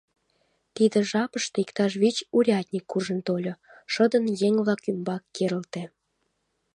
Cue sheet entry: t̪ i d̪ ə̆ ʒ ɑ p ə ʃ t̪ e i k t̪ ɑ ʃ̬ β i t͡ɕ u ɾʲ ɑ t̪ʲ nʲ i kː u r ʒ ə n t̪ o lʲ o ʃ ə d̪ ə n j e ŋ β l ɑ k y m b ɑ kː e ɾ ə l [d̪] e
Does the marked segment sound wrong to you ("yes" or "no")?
yes